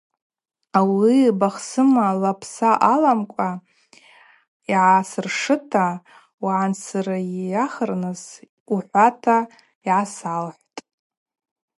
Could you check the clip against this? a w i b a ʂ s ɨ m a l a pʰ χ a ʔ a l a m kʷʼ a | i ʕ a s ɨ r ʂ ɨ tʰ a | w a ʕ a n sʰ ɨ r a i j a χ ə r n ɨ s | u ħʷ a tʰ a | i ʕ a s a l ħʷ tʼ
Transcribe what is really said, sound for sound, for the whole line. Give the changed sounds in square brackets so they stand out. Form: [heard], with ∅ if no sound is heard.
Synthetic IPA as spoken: a w i b a [χ] s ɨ m a l a pʰ [s] a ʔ a l a m kʷʼ a | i ʕ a s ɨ r ʂ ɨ tʰ a | w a ʕ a n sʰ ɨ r a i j a χ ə r n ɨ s | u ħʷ a tʰ a | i ʕ a s a l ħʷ tʼ